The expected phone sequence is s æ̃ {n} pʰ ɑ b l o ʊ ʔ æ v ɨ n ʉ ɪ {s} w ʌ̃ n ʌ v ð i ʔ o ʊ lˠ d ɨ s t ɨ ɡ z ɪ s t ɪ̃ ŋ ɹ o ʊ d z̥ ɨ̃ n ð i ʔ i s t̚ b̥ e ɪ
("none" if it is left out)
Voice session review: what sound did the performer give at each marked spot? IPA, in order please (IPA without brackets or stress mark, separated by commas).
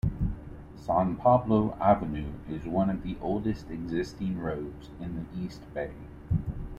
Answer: n, z